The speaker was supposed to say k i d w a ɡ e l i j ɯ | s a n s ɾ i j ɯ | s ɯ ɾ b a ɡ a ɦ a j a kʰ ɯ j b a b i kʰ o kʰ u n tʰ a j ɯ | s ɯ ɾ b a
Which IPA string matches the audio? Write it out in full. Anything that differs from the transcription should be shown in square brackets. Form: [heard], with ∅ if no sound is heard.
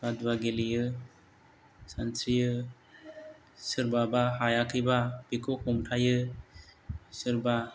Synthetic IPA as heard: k [a] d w a ɡ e l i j ɯ | s a n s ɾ i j ɯ | s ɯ ɾ b a [b] a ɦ a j a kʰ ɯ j b a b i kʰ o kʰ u [m] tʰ a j ɯ | s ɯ ɾ b a